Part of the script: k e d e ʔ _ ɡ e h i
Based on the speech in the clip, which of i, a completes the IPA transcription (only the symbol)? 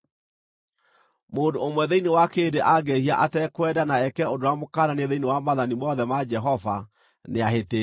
a